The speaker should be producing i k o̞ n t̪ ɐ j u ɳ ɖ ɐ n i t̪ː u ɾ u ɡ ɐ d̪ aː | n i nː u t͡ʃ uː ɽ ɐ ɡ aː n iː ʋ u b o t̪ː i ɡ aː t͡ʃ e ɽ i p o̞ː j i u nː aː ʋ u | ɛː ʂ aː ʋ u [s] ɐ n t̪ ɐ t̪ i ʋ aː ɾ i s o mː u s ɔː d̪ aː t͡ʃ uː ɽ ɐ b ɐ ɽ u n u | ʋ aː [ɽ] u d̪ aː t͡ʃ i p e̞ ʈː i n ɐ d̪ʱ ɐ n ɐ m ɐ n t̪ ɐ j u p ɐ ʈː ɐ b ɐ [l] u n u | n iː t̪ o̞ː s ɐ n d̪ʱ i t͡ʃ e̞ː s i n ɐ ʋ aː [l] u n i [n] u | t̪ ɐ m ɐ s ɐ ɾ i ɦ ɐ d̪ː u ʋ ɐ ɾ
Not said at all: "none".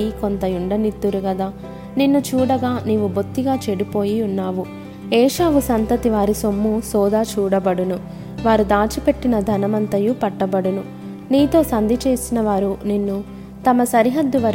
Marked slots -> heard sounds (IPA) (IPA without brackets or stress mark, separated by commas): s, ɾ, ɽ, ɾ, nː